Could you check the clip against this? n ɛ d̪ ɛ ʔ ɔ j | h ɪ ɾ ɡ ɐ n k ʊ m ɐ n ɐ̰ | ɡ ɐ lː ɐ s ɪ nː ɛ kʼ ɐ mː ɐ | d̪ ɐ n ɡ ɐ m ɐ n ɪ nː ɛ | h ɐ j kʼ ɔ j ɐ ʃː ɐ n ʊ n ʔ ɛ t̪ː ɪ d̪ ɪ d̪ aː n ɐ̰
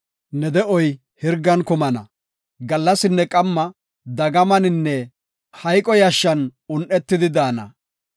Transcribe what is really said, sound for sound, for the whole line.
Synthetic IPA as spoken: n ɛ d̪ ɛ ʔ ɔ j | h ɪ ɾ ɡ ɐ n k ʊ m ɐ n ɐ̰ | ɡ ɐ lː ɐ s ɪ nː ɛ kʼ ɐ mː ɐ | d̪ ɐ ɡ ɐ m ɐ n ɪ nː ɛ | h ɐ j kʼ ɔ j ɐ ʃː ɐ n ʊ n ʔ ɛ t̪ː ɪ d̪ ɪ d̪ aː n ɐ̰